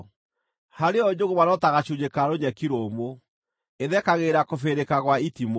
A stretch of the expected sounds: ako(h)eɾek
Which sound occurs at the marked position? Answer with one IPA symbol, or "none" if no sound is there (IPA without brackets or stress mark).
f